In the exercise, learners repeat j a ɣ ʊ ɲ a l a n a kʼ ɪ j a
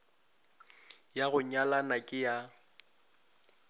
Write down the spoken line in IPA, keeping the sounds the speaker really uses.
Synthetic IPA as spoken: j a ɣ ʊ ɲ a l a n a kʼ ɪ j a